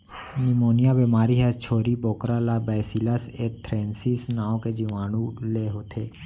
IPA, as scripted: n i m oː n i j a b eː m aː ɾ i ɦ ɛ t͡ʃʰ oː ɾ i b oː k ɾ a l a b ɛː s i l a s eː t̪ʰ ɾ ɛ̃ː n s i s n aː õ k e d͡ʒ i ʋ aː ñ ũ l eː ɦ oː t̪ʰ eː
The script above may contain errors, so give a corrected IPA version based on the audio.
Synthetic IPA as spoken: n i m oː n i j a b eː m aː ɾ i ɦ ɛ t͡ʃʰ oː ɾ i b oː k ɾ a l a b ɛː s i l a s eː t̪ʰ ɾ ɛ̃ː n s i s n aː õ k e d͡ʒ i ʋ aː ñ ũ l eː ɦ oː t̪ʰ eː